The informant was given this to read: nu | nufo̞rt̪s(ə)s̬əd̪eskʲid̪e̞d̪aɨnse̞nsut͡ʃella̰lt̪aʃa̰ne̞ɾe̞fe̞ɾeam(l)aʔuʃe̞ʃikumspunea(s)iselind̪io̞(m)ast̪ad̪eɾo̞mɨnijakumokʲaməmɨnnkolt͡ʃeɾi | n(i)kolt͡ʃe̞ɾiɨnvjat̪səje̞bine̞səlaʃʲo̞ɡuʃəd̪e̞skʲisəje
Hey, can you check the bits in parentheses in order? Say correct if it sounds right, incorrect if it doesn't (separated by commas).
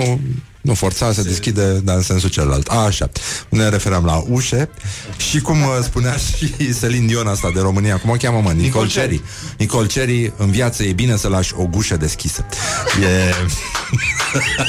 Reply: incorrect, correct, incorrect, incorrect, correct